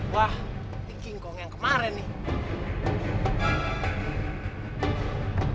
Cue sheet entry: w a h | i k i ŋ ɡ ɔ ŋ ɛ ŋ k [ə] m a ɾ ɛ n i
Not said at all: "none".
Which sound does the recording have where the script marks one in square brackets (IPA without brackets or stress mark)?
ə